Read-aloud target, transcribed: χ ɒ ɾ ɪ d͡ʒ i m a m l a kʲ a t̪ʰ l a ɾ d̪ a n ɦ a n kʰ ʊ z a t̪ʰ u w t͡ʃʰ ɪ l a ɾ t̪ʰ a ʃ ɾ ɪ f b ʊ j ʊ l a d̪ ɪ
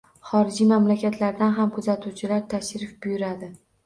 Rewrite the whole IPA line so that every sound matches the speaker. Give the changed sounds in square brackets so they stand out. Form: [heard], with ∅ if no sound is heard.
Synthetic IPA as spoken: χ ɒ ɾ ɪ d͡ʒ i m a m l a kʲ a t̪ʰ l a ɾ d̪ a n ɦ a [m] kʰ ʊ z a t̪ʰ u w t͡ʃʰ ɪ l a ɾ t̪ʰ a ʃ ɾ ɪ f b ʊ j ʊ [ɾ] a d̪ ɪ